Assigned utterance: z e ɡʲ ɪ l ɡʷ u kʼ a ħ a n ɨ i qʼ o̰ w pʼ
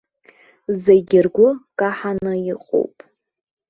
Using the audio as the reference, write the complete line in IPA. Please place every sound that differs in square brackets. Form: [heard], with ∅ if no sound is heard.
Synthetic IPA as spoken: z e ɡʲ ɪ [r] ɡʷ [ʊ] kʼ a ħ a n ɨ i qʼ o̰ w pʼ